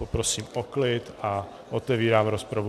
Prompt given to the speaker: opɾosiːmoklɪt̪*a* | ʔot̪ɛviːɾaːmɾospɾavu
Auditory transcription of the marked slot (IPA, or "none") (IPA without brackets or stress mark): a